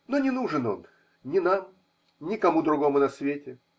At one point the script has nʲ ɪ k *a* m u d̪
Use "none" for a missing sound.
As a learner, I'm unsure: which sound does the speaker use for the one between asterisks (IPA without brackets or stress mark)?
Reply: ɐ